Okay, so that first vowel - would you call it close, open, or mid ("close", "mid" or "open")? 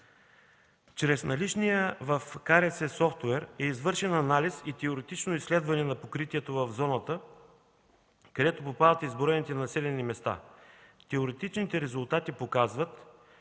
mid